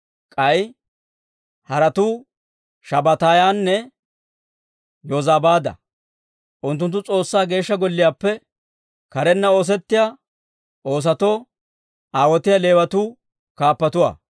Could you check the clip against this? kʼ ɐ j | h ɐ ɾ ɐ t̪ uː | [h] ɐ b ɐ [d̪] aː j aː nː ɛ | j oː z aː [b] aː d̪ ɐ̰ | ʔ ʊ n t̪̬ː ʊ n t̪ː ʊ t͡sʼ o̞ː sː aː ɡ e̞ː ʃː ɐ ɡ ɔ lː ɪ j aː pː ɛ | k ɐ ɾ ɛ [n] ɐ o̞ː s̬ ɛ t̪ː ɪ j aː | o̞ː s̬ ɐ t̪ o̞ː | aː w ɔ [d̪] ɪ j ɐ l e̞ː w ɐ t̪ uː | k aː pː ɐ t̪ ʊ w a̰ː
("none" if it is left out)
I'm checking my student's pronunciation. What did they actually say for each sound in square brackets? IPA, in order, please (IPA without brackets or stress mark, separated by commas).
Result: ʃ, t̪, b, nː, t̪